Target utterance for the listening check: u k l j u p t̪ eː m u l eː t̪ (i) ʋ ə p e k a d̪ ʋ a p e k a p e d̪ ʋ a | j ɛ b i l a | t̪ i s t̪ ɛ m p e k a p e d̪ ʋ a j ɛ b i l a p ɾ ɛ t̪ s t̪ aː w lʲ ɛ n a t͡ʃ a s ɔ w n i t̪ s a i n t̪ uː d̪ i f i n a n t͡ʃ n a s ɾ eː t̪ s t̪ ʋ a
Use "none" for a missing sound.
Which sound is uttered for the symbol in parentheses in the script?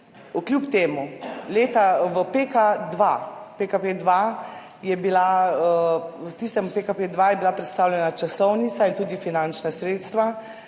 a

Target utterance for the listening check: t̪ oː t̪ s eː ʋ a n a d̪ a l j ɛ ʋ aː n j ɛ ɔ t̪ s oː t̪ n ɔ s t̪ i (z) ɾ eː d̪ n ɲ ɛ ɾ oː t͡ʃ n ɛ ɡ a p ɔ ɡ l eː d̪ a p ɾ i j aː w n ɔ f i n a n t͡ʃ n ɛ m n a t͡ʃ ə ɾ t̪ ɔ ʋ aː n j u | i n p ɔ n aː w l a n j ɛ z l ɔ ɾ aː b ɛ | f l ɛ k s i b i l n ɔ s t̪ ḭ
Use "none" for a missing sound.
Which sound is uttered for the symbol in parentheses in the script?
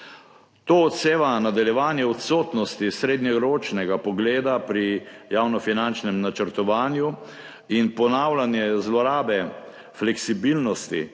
s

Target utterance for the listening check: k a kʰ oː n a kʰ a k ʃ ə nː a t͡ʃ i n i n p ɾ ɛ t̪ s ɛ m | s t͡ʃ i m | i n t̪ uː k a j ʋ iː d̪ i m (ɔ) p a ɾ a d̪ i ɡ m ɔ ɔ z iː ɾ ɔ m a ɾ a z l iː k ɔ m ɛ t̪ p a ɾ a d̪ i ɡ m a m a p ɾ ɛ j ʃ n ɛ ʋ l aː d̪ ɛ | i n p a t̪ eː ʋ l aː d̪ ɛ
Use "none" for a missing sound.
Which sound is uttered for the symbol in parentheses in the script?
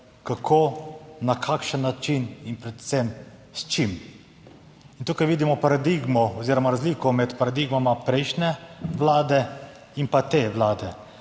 ɔ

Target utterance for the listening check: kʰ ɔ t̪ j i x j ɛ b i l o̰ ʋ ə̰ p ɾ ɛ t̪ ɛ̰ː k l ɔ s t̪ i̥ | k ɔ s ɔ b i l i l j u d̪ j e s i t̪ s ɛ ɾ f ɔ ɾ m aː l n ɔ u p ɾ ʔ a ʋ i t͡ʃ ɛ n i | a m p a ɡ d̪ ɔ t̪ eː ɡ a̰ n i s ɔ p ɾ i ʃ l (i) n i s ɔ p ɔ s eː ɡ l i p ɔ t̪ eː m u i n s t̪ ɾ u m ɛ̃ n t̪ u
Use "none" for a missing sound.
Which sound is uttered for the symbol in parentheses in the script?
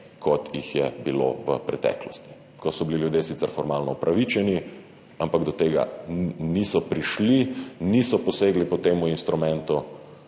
i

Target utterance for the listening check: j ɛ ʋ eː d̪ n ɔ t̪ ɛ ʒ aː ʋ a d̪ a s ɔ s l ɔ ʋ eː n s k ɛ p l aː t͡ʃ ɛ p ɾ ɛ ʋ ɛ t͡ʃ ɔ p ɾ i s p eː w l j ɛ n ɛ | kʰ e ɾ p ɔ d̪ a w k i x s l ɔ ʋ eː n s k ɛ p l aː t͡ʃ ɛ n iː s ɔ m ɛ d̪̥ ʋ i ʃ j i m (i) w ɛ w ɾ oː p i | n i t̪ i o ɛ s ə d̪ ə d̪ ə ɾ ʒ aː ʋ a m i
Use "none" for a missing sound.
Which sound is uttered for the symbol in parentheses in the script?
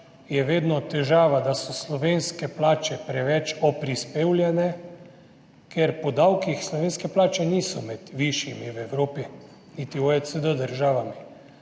i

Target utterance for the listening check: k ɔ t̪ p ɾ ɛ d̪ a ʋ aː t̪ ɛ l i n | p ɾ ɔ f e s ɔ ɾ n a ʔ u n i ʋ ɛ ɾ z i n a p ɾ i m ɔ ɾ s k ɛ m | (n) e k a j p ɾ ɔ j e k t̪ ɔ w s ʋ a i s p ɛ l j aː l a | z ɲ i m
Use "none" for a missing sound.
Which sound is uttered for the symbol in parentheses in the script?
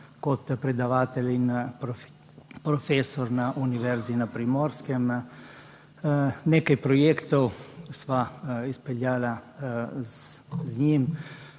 n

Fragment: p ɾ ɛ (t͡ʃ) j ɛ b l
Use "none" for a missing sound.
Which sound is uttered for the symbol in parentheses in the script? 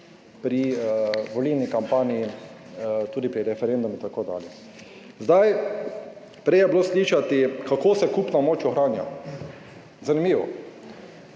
none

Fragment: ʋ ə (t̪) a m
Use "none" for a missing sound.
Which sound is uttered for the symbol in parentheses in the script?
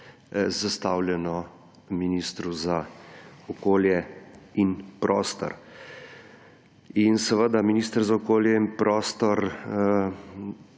d̪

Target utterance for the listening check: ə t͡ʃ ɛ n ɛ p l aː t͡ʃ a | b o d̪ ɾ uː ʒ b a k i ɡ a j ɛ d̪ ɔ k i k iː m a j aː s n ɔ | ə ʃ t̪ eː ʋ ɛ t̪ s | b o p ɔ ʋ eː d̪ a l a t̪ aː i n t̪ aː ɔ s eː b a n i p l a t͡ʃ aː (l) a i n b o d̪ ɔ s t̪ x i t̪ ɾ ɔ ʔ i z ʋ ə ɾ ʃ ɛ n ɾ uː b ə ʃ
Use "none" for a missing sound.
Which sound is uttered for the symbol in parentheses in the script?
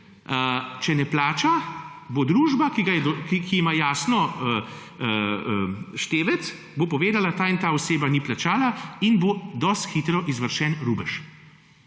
l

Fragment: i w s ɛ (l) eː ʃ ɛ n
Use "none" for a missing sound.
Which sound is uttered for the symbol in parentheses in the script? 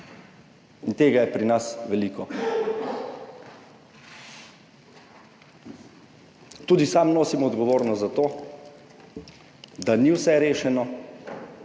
ɾ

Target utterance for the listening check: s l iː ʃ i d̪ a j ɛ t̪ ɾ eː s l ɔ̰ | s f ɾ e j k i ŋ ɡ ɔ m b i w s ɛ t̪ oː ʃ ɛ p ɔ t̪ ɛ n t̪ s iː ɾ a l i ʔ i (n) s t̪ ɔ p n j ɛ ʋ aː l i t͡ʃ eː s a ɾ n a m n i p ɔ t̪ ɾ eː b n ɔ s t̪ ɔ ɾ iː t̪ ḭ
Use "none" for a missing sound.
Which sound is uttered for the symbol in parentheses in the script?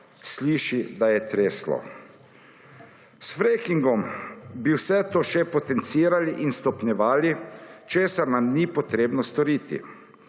n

